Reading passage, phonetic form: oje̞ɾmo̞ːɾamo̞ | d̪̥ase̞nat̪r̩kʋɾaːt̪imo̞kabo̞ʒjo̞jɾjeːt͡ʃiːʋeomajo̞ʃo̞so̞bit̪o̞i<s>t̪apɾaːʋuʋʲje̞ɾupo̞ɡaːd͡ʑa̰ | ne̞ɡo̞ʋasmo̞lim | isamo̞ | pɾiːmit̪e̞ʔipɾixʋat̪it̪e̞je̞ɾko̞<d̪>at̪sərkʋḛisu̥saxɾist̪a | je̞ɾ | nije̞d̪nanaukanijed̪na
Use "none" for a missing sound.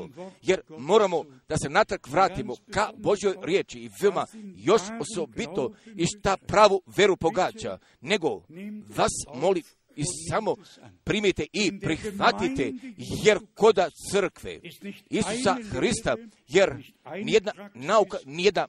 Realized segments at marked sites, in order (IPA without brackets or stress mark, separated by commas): ʃ, d̪